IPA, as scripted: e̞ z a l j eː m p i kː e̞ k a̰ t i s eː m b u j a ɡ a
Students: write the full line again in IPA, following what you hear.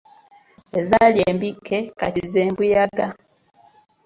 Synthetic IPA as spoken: e̞ z a l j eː m b i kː e̞ k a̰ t i z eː m b u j a ɡ a